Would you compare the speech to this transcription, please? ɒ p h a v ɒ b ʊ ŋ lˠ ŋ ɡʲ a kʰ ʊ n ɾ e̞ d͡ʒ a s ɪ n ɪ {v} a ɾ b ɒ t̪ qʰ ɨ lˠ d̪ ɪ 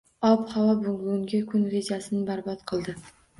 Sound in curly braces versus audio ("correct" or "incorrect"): incorrect